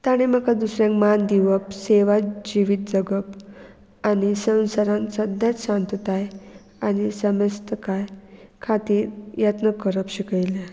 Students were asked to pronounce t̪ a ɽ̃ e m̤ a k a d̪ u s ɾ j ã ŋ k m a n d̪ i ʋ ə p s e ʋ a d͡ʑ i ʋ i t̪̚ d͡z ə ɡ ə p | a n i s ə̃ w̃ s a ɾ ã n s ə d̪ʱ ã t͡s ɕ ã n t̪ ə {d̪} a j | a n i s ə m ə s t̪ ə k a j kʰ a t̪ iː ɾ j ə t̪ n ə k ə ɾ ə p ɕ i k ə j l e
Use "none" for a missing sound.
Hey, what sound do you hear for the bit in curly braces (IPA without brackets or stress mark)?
t̪